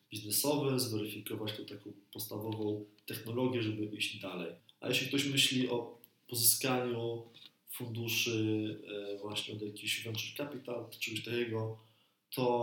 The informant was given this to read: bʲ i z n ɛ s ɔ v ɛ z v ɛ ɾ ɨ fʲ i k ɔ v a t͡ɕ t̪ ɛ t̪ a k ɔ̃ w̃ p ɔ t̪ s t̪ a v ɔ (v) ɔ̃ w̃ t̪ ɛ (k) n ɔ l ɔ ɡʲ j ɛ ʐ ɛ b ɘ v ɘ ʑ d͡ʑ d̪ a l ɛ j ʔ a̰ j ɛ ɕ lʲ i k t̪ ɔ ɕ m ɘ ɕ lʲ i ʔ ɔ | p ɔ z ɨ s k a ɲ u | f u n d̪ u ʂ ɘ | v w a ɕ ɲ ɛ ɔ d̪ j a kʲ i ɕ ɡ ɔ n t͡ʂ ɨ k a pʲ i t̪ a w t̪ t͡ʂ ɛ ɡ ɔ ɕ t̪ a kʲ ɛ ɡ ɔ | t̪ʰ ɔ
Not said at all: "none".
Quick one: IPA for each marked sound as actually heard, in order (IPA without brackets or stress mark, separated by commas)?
v, x